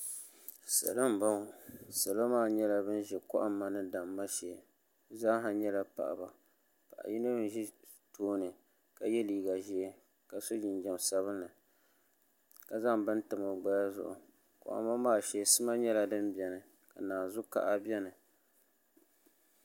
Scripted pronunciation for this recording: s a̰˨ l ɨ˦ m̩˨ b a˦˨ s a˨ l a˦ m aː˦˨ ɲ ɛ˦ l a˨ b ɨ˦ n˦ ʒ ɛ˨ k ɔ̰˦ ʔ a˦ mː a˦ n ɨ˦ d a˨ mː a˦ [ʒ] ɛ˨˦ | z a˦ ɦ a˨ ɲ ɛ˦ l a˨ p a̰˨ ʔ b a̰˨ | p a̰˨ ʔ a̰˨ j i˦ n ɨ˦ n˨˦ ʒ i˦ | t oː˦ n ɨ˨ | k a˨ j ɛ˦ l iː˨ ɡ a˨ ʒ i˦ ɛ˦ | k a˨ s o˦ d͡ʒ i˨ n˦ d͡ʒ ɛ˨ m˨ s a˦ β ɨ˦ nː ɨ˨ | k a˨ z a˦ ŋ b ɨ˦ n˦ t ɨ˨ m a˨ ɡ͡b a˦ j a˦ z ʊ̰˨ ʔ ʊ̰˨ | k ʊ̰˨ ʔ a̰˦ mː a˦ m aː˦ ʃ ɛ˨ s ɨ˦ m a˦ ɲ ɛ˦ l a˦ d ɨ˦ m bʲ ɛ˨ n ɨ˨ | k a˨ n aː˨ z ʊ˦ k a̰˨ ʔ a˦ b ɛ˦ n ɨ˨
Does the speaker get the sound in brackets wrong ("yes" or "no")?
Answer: yes